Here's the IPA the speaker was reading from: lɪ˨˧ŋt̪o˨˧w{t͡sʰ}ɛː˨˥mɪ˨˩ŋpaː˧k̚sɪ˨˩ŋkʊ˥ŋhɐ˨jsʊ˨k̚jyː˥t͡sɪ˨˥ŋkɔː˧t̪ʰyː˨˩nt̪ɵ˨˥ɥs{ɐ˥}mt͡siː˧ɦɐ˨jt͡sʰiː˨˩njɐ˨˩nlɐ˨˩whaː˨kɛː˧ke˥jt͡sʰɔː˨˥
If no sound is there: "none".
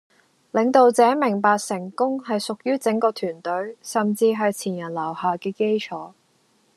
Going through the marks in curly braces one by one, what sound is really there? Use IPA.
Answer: t͡s, ɐ˨

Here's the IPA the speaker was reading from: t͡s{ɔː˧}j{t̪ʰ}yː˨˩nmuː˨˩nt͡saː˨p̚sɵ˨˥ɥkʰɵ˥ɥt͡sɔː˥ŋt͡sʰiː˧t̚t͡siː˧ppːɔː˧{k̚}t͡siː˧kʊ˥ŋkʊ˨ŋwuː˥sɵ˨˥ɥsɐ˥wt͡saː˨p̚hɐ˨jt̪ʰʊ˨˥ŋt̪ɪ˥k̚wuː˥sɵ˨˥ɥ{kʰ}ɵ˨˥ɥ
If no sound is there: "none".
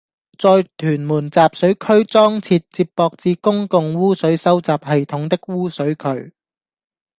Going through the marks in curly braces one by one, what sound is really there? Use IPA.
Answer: ɔː˧, t̪ʰ, k̚, kʰ

